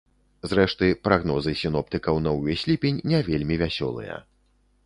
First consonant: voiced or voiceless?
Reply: voiced